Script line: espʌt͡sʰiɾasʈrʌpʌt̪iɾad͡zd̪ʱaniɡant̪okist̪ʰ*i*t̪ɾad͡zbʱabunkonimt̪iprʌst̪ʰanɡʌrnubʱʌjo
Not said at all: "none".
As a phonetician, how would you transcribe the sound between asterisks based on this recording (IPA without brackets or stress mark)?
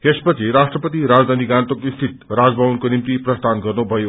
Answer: i